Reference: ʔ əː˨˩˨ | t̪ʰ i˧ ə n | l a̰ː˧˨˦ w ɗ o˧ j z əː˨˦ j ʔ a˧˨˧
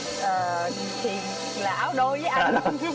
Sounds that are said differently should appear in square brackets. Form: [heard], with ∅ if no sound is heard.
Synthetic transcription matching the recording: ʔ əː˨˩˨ | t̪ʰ [i˨˩] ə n | l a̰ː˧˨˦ w ɗ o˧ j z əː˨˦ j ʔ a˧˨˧

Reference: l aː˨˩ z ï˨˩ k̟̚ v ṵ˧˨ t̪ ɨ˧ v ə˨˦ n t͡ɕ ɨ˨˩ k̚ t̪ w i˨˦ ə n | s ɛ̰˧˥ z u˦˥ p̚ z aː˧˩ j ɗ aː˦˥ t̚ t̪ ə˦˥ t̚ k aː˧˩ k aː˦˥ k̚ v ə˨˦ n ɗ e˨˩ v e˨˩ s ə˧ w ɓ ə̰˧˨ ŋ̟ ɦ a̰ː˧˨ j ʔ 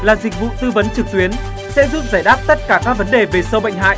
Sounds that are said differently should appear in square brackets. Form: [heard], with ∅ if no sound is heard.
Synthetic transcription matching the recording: l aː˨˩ z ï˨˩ k̟̚ v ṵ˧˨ t̪ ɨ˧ v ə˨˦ n t͡ɕ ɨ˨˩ k̚ t̪ w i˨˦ ə n | s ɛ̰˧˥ z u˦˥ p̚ z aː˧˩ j ɗ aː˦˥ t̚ t̪ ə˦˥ t̚ k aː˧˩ k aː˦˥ k̚ v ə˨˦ n ɗ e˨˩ v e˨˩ s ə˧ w ɓ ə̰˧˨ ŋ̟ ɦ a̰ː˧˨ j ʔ

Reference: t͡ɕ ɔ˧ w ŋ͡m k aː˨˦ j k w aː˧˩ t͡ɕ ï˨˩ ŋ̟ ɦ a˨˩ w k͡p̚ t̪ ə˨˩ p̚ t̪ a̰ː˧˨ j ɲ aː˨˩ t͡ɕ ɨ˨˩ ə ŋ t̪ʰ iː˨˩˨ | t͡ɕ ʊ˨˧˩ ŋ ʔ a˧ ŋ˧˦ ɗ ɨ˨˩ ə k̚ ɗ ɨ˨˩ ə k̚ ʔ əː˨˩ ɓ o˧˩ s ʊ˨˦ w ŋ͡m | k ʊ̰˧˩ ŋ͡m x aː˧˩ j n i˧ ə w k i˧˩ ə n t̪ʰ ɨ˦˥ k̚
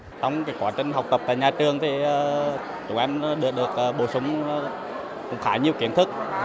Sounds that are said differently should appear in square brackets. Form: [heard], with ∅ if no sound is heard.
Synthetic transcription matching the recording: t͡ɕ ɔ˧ w ŋ͡m k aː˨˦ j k w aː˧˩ t͡ɕ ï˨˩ ŋ̟ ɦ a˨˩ w k͡p̚ t̪ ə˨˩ p̚ t̪ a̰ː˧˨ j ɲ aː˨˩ t͡ɕ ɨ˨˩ ə ŋ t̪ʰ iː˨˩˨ | t͡ɕ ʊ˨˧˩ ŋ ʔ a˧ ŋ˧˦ ɗ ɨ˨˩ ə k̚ ɗ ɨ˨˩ ə k̚ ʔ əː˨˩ ɓ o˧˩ s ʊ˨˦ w ŋ͡m | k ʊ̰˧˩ ŋ͡m x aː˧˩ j [ɲ] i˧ ə w k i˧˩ ə n t̪ʰ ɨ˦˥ k̚

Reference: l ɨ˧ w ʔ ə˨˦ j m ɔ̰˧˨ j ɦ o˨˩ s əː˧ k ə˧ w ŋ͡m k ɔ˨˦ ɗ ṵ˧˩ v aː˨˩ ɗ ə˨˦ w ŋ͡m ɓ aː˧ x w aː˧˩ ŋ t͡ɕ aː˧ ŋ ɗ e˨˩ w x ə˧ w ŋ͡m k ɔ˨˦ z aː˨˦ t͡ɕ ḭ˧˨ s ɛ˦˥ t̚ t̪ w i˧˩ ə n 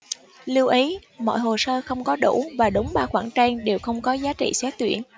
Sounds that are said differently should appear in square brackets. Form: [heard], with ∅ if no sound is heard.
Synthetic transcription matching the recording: l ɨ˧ w ʔ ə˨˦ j m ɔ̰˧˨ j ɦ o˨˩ s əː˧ [x] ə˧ w ŋ͡m k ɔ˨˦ ɗ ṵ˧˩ v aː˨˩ ɗ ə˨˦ w ŋ͡m ɓ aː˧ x w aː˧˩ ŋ t͡ɕ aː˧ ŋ ɗ e˨˩ w x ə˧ w ŋ͡m k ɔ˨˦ z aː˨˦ t͡ɕ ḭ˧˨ s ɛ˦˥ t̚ t̪ w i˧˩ ə n

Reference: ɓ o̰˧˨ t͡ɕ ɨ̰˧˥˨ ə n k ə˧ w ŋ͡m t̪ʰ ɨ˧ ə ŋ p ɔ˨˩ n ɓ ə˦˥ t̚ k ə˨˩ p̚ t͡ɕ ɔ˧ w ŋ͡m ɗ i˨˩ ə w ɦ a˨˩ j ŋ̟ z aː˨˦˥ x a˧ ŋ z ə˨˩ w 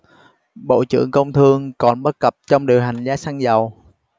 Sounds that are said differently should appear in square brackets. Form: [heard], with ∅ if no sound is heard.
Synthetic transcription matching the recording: ɓ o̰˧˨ t͡ɕ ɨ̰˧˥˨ ə [ŋ] k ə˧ w ŋ͡m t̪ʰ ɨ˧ ə ŋ [k] ɔ˨˩ n ɓ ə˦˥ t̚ k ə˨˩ p̚ t͡ɕ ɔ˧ w ŋ͡m ɗ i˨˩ ə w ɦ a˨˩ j ŋ̟ z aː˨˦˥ [s] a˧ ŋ z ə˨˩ w

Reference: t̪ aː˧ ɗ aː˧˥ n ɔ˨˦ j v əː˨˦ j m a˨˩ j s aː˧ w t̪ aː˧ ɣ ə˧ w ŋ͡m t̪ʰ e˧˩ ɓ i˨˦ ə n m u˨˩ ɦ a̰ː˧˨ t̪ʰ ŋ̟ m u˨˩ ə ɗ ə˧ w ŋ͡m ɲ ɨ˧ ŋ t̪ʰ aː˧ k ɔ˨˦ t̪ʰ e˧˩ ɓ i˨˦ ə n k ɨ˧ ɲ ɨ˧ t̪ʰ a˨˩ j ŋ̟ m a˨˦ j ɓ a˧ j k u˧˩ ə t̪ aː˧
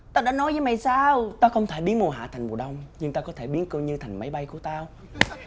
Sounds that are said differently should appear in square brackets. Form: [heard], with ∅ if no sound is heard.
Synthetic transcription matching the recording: t̪ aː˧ ɗ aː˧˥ n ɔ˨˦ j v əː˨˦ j m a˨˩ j s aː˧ w t̪ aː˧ [x] ə˧ w ŋ͡m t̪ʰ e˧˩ ɓ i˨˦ ə n m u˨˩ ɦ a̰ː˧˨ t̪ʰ ŋ̟ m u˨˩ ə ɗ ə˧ w ŋ͡m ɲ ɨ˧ ŋ [t̪] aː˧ k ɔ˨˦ t̪ʰ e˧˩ ɓ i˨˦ ə n k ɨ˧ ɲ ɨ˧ t̪ʰ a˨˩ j ŋ̟ m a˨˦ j ɓ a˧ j k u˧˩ ə t̪ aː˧

